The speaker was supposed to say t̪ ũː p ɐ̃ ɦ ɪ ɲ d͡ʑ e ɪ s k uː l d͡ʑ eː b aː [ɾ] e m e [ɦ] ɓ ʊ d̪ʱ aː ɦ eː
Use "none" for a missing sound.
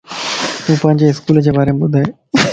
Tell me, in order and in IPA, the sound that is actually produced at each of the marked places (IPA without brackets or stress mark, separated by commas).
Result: ɾ, none